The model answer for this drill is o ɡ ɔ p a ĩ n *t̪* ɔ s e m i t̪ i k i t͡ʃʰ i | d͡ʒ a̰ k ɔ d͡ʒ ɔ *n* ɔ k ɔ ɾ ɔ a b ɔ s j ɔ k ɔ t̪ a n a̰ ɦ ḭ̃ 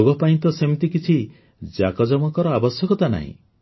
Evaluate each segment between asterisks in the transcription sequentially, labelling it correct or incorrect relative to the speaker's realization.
correct, incorrect

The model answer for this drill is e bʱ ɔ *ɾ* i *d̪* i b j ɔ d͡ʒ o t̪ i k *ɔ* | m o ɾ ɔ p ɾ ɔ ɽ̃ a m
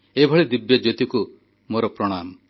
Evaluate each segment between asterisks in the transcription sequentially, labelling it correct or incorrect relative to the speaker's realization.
incorrect, correct, incorrect

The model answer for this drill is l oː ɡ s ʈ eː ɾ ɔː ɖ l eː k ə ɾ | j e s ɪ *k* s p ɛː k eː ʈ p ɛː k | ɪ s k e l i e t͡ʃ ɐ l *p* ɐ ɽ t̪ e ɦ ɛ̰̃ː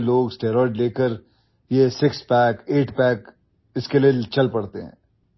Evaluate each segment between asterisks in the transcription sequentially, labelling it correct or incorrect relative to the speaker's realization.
correct, correct

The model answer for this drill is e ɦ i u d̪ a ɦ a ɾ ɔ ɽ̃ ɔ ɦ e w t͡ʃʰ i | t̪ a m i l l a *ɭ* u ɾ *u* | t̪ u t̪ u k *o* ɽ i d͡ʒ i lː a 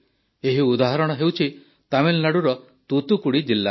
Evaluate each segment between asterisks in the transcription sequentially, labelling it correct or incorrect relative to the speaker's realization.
incorrect, incorrect, incorrect

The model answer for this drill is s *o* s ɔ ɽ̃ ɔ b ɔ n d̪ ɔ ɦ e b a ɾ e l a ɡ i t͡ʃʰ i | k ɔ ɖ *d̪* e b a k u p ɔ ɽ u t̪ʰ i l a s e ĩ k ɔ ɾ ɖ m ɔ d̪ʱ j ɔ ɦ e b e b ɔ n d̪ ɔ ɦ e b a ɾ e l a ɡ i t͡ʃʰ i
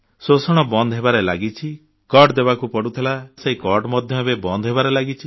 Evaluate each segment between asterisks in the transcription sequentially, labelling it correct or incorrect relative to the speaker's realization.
correct, correct

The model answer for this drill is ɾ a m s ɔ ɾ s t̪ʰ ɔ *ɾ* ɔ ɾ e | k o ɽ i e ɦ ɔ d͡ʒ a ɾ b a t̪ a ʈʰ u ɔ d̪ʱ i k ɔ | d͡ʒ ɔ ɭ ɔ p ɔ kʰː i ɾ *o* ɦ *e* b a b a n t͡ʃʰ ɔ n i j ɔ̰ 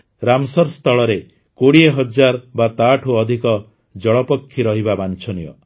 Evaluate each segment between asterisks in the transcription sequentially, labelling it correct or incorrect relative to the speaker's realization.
incorrect, incorrect, incorrect

